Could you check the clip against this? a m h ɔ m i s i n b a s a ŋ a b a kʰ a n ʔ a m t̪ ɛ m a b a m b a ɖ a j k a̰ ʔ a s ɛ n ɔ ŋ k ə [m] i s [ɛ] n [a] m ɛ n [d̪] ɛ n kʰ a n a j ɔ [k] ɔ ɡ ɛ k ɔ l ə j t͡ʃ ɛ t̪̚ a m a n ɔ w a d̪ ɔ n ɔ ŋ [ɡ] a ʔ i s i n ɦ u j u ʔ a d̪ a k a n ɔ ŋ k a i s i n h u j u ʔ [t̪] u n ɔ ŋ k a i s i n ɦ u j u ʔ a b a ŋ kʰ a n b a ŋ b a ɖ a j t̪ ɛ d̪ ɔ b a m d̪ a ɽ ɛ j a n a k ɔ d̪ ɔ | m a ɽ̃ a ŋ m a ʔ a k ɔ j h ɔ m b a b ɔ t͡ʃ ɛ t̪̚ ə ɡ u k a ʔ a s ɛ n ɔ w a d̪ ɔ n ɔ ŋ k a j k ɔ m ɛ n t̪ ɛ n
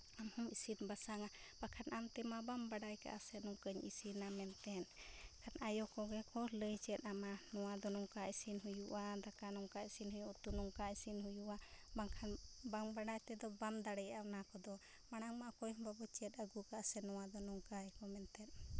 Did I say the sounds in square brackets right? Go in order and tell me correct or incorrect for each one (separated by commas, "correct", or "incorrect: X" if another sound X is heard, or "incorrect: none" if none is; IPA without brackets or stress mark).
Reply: incorrect: ɲ, incorrect: i, correct, incorrect: t̪, correct, incorrect: k, correct